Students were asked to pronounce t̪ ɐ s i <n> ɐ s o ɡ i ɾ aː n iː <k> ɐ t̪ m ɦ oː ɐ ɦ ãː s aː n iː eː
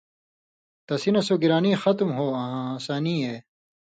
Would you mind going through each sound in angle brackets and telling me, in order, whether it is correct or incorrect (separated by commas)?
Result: correct, incorrect